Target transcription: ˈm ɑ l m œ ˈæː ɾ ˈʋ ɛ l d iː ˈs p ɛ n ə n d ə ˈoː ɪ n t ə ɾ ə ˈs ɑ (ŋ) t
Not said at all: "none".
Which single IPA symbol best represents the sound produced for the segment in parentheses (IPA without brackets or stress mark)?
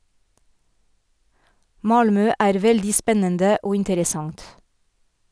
ŋ